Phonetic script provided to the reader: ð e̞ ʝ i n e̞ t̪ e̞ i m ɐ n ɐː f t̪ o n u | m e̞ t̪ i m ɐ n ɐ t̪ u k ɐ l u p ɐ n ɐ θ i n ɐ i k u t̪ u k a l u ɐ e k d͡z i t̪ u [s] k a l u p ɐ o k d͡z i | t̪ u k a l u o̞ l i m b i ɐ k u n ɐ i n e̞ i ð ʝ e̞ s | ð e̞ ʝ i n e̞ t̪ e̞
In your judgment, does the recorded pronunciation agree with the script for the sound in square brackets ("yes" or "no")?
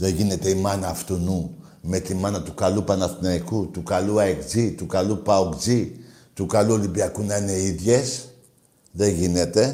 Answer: no